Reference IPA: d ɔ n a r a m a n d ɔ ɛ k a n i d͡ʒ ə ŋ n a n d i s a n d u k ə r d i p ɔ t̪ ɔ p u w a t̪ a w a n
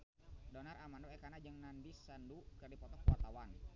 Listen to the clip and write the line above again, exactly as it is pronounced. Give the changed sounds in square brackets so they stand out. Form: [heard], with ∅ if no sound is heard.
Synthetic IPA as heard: d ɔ n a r a m a n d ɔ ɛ k a n [a] d͡ʒ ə ŋ n a n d i s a n d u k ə r d i p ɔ t̪ ɔ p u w a t̪ a w a n